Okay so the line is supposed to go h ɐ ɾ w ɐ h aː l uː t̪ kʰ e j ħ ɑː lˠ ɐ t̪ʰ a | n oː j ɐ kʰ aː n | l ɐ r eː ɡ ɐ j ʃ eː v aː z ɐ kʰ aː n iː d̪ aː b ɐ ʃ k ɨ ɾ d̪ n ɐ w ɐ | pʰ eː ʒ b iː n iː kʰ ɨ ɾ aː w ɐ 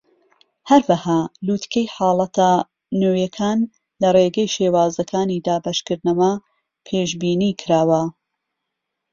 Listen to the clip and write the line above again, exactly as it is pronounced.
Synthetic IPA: h ɐ ɾ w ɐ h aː l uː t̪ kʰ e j ħ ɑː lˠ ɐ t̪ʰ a | n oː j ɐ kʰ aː n | l ɐ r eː ɡ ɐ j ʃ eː w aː z ɐ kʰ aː n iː d̪ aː b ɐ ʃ k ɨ ɾ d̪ n ɐ w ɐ | pʰ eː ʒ b iː n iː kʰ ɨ ɾ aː w ɐ